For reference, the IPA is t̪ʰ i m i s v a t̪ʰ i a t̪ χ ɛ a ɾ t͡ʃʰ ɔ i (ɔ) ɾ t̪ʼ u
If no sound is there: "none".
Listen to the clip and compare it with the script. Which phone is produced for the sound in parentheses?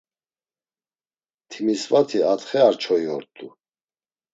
ɔ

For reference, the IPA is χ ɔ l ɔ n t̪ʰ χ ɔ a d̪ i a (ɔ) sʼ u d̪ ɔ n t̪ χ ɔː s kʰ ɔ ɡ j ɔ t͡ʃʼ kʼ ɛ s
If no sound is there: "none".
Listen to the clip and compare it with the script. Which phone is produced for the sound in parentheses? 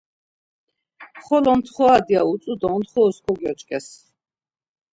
u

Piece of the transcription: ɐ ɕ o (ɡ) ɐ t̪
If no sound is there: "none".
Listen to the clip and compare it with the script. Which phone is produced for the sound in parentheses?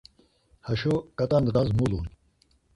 k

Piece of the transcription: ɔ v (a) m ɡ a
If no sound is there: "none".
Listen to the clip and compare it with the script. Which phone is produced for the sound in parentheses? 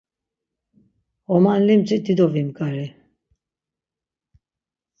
i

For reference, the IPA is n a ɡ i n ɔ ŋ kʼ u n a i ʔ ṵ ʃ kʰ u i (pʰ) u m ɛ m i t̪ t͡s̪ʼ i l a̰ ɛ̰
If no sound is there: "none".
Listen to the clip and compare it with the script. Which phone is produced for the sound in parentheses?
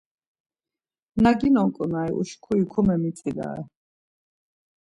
kʰ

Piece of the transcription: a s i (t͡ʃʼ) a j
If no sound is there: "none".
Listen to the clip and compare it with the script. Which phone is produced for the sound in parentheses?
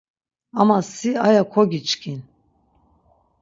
none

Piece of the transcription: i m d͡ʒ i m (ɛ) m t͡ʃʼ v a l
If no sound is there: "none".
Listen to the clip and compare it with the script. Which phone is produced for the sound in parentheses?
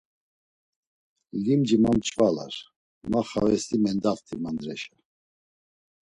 a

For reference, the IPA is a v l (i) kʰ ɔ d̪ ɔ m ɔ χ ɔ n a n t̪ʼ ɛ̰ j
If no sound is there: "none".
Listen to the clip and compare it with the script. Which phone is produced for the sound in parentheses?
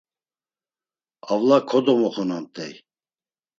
a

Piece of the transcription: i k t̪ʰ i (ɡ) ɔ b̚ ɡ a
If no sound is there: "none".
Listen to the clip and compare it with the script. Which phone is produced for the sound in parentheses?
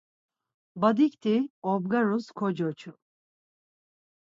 none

